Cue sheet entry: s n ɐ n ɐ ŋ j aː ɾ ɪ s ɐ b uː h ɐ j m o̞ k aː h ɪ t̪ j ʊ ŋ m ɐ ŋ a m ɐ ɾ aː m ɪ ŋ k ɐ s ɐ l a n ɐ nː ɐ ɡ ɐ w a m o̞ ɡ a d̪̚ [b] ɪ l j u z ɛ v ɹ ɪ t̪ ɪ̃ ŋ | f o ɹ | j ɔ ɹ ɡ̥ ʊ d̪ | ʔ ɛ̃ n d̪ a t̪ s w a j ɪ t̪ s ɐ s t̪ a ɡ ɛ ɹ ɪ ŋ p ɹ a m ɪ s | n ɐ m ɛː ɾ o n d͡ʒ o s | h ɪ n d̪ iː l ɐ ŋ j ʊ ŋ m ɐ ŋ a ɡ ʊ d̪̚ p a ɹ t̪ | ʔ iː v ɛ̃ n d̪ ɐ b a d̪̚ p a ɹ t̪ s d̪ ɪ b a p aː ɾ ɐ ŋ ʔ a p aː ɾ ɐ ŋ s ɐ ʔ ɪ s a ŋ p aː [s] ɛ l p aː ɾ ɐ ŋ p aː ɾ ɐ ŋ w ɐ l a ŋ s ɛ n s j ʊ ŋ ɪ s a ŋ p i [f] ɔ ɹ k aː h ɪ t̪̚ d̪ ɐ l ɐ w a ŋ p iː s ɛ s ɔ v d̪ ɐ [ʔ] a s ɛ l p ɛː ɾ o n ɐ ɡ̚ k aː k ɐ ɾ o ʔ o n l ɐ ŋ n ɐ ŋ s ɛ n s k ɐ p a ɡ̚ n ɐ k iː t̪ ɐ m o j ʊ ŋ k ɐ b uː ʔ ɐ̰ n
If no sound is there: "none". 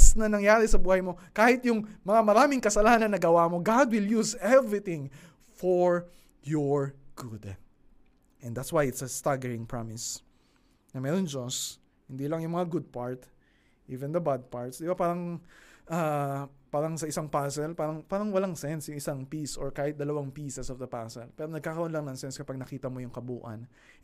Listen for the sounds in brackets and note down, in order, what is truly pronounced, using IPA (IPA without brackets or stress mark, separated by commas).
w, s, s, p